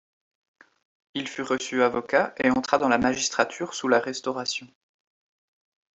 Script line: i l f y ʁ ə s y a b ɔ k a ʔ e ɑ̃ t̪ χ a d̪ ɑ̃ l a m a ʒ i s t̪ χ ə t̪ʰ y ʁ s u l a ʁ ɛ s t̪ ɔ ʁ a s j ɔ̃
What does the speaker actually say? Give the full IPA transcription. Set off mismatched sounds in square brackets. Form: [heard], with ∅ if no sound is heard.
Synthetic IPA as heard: i l f y ʁ ə s y a [v] ɔ k a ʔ e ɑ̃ t̪ χ a d̪ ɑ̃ l a m a ʒ i s t̪ χ [a] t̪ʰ y ʁ s u l a ʁ ɛ s t̪ ɔ ʁ a s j ɔ̃